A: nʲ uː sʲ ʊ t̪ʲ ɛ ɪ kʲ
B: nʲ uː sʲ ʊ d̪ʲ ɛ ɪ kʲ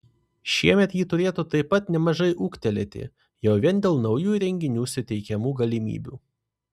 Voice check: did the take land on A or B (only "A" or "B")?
A